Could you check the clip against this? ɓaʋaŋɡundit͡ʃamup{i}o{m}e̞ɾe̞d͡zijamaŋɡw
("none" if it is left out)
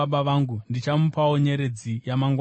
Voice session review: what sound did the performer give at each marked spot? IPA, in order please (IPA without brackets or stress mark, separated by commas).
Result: a, ɲ